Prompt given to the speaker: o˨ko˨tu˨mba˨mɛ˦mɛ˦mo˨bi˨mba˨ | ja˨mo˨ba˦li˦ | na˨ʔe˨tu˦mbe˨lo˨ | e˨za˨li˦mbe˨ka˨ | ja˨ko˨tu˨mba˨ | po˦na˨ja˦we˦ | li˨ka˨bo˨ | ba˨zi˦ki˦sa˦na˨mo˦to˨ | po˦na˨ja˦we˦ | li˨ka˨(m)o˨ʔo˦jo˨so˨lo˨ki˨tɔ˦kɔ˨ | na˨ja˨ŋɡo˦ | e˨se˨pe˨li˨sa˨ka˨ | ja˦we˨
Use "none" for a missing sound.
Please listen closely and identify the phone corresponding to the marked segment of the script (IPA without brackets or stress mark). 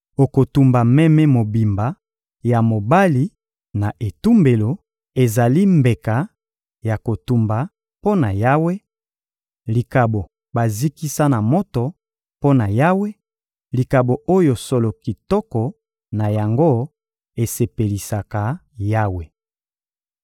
b